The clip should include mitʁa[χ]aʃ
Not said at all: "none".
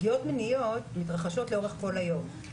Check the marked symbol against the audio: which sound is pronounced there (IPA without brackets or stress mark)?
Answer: χ